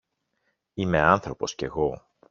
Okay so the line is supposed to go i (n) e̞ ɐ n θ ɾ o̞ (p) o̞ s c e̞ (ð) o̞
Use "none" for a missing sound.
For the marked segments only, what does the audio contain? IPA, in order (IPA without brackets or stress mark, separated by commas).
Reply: m, p, ɣ